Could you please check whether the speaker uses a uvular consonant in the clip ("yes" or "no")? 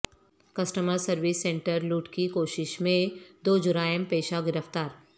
no